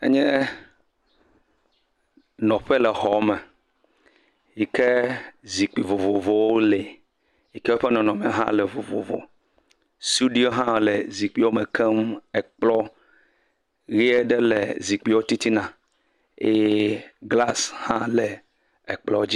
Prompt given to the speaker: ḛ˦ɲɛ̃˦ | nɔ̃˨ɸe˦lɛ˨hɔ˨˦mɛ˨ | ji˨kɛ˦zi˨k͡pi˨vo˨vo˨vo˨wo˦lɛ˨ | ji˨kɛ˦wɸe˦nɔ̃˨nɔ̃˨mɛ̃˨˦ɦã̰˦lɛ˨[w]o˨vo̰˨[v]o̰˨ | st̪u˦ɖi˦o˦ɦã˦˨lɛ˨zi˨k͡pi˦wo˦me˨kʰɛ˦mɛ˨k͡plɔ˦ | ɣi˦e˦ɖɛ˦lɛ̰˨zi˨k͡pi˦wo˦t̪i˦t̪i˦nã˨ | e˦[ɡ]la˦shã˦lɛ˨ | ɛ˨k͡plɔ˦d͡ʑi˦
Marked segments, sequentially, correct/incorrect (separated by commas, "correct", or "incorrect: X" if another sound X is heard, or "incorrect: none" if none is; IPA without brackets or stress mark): incorrect: v, correct, correct